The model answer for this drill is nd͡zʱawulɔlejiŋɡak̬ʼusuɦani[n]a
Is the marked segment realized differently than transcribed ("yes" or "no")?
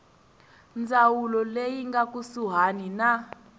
no